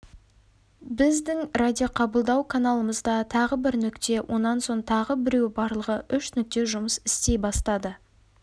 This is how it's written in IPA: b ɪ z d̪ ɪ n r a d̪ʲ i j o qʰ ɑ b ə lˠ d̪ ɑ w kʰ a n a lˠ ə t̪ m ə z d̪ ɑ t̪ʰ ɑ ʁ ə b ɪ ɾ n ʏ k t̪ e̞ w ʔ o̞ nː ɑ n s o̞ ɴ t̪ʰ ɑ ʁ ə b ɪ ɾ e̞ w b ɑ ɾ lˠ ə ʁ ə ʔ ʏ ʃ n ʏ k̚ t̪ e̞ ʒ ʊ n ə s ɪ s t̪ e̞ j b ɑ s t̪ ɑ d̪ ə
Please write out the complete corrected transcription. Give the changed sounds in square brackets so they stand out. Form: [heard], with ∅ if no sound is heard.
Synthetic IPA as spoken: b ɪ z d̪ ɪ [ŋ] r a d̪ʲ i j o qʰ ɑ b ə lˠ d̪ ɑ w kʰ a n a lˠ ə [∅] m ə z d̪ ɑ t̪ʰ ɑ ʁ ə b ɪ ɾ n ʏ k t̪ e̞ w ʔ o̞ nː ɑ n s o̞ ɴ t̪ʰ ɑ ʁ ə b ɪ ɾ e̞ w b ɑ ɾ lˠ ə ʁ ə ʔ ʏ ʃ n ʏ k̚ t̪ e̞ ʒ ʊ [m] ə s ɪ s t̪ e̞ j b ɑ s t̪ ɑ d̪ ə